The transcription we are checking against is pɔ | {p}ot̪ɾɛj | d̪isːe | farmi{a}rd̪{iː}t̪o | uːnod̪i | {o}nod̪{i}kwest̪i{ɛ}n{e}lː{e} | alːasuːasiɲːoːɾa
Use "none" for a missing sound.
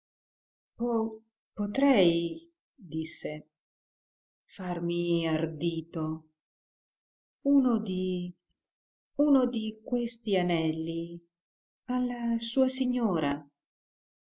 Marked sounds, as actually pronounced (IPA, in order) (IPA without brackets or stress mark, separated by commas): p, a, iː, u, i, a, ɛ, i